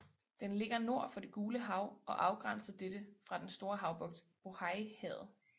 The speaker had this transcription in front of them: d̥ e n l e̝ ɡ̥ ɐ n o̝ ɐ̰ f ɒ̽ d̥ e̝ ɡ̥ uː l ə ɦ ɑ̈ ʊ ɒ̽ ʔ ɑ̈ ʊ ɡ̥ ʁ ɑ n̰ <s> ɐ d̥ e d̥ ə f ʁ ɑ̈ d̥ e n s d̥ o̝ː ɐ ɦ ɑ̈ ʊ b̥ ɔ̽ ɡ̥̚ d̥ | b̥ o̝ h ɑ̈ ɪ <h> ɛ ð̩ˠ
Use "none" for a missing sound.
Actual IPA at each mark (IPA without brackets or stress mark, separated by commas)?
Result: s, h